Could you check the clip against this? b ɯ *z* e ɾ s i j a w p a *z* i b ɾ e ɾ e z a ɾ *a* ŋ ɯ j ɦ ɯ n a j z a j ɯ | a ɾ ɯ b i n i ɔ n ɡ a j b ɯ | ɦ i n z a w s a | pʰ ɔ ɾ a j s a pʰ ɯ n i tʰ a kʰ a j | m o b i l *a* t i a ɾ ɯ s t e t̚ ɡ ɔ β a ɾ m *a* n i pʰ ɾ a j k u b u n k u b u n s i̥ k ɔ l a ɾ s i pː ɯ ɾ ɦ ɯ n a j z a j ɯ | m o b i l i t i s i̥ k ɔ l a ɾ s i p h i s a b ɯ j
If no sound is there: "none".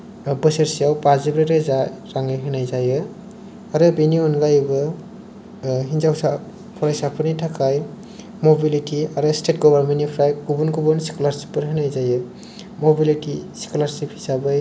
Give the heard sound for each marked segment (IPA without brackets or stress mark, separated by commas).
s, z, a, i, e